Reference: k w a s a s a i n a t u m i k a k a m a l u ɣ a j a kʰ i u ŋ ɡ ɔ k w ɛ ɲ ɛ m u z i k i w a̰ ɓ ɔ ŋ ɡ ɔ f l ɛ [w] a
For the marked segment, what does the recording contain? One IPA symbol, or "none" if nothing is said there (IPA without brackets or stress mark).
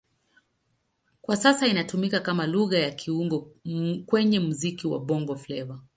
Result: v